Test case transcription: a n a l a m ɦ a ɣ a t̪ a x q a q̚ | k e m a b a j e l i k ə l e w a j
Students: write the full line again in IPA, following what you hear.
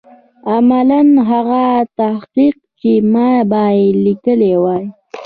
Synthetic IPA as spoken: a m a l a n ɦ a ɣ a t̪ a h q i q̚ | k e m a b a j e l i k ə l e w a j